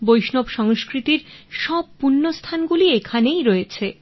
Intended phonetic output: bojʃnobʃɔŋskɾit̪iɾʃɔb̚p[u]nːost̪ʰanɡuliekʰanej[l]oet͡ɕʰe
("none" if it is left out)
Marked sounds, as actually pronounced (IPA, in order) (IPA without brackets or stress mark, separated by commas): u, ɾ